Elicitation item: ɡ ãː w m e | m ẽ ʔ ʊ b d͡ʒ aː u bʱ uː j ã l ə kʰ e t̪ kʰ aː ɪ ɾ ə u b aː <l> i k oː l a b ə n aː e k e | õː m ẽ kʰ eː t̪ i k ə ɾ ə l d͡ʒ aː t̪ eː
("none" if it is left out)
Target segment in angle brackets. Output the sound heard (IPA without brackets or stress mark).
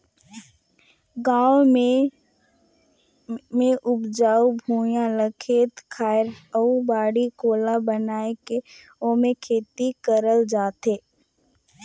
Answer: ɽ